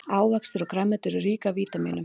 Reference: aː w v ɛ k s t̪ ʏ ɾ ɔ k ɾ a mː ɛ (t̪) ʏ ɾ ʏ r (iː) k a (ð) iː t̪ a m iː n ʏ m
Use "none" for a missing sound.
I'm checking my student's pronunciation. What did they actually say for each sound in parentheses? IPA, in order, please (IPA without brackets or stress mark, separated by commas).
t̪, iː, v